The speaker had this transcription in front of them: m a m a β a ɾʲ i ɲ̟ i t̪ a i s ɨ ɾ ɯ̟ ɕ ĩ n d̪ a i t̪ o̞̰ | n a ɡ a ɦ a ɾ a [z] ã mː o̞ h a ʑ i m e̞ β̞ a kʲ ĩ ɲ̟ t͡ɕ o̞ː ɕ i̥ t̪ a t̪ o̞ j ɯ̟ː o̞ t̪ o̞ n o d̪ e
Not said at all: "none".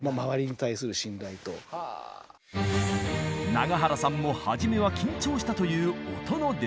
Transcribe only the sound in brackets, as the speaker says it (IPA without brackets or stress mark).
s